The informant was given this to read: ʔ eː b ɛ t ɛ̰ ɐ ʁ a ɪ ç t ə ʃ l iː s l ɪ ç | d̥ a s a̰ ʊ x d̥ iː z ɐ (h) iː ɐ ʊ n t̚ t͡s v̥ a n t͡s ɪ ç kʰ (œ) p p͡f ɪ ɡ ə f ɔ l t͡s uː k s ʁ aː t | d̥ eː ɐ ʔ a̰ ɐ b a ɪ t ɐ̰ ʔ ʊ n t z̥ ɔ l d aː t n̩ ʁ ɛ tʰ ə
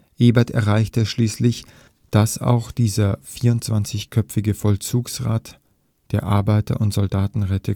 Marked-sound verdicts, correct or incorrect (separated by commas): incorrect, correct